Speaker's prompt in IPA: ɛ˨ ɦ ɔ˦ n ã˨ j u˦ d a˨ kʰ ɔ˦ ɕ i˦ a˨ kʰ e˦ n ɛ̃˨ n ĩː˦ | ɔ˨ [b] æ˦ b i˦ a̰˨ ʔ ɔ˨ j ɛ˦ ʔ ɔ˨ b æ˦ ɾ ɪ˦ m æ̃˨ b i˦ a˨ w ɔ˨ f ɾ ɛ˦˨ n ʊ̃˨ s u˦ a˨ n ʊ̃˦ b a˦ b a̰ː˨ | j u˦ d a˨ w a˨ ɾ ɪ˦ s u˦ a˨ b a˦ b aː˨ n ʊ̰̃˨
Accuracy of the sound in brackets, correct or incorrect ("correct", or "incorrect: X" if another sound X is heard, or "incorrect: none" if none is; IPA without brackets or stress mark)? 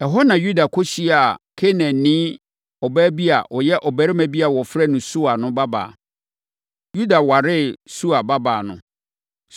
correct